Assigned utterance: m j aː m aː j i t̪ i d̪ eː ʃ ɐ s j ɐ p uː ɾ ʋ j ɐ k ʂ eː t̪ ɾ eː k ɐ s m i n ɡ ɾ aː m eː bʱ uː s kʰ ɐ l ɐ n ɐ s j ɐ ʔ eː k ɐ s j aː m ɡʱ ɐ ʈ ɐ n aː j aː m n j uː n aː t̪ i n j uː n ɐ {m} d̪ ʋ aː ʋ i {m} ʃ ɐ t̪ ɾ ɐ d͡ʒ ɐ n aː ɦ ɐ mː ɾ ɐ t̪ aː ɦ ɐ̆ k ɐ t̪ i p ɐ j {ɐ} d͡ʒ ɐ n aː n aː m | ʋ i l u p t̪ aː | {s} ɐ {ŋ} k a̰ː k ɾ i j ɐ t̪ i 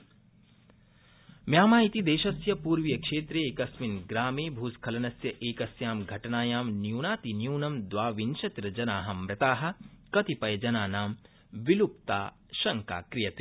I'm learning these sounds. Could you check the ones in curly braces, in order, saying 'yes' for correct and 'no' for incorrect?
yes, no, yes, no, yes

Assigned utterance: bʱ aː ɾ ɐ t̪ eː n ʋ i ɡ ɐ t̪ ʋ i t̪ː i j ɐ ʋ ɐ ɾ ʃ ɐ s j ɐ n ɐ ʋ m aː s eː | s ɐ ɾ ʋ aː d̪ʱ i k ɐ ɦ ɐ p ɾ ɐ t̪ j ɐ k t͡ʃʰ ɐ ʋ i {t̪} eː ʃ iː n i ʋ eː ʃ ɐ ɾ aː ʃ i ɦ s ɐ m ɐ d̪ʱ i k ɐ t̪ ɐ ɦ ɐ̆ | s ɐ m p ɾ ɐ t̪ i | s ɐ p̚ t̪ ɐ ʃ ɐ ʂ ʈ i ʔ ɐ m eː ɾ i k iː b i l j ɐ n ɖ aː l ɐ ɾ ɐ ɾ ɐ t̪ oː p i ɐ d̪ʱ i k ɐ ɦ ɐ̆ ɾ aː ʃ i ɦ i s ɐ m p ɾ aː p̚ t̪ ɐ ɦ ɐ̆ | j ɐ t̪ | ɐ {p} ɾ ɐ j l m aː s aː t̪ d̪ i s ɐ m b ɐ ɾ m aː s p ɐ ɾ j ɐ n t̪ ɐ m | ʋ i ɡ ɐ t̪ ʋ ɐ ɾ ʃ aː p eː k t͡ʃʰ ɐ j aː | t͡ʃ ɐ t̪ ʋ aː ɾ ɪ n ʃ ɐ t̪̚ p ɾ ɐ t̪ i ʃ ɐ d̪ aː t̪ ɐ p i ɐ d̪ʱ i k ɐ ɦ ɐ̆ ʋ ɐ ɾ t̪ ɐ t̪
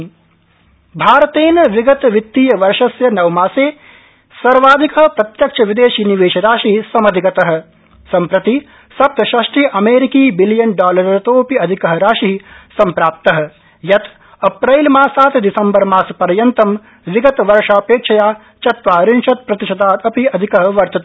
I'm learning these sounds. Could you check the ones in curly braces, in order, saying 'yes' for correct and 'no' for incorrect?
no, yes

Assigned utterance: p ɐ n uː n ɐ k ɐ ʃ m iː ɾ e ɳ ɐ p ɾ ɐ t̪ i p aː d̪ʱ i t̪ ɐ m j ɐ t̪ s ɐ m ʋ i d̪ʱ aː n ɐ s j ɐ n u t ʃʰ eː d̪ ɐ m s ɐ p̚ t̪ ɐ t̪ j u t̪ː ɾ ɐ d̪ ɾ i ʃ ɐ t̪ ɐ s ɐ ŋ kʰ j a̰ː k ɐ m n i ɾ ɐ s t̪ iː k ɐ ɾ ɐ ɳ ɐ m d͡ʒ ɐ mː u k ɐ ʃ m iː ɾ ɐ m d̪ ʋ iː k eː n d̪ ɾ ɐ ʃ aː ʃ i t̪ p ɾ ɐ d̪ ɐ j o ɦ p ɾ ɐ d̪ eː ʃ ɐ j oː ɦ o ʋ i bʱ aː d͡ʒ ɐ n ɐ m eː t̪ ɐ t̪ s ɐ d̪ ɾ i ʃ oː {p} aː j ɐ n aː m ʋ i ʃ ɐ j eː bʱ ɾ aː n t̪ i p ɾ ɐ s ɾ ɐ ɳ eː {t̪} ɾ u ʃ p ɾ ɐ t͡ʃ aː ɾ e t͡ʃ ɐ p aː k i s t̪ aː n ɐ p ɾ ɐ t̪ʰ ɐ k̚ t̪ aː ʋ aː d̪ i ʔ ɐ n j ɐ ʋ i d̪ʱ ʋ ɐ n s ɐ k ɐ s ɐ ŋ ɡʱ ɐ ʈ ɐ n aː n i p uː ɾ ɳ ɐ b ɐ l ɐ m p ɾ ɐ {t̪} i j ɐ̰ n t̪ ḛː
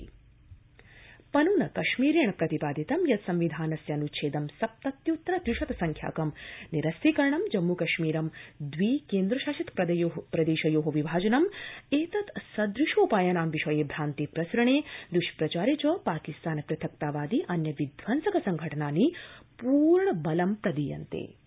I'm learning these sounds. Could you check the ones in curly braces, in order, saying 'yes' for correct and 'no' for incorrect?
yes, no, no

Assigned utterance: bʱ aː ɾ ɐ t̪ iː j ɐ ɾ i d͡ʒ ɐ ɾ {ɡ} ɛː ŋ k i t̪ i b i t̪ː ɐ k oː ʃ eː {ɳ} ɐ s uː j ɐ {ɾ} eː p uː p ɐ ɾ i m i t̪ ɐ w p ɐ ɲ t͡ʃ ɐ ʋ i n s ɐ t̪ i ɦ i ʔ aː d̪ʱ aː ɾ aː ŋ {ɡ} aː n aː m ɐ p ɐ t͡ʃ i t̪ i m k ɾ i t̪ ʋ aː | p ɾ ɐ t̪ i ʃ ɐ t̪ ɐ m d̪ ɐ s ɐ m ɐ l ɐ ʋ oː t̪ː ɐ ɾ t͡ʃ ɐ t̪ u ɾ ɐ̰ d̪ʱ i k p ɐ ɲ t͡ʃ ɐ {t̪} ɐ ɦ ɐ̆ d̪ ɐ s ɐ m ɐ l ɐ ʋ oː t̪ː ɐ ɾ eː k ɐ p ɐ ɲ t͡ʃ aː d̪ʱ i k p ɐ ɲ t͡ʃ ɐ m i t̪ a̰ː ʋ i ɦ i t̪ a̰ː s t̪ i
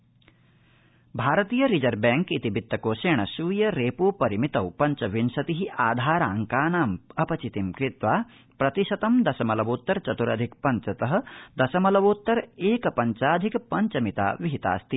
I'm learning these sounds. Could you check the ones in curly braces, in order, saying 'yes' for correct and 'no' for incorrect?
no, yes, yes, no, yes

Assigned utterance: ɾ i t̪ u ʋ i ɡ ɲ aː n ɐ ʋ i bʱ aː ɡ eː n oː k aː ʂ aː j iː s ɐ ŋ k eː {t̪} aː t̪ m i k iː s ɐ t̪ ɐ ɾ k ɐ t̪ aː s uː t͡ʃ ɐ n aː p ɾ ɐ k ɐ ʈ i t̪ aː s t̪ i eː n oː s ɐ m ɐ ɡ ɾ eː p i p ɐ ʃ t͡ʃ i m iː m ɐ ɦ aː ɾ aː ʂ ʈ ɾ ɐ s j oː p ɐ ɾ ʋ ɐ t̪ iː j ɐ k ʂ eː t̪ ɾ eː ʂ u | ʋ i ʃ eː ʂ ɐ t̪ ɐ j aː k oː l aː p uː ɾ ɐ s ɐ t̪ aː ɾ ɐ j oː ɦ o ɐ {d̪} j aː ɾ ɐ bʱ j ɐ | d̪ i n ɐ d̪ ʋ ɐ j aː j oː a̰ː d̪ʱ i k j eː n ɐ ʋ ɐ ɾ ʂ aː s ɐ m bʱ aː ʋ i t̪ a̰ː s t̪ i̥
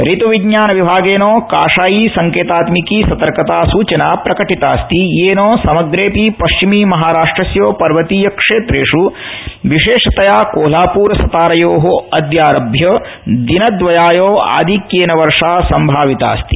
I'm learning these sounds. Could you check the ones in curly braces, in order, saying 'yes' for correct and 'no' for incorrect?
yes, yes

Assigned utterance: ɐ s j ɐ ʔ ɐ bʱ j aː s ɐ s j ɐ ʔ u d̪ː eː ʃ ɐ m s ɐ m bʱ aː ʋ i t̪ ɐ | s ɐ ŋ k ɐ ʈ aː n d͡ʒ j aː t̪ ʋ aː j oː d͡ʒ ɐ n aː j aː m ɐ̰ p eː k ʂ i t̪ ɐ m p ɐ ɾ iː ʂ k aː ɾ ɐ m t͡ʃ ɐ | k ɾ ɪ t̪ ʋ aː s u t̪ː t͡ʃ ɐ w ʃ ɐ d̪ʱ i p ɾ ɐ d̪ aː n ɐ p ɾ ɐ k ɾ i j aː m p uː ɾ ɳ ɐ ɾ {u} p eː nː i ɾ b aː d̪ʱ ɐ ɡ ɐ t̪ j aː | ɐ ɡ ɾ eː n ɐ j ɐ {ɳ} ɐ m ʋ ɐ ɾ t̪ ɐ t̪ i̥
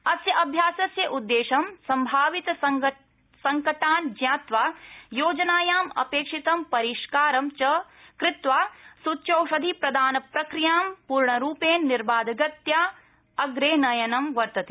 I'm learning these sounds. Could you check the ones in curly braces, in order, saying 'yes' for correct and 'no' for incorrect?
no, no

